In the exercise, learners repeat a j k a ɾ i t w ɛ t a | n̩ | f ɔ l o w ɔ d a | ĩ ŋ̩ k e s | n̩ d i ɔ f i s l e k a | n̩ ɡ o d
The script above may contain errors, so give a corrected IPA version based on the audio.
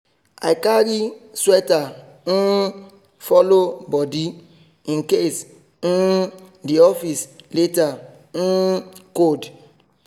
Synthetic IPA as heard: a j k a ɾ i s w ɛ t a | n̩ | f ɔ l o b ɔ d i | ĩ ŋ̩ k e s | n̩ d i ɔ f i s l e t a | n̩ k o d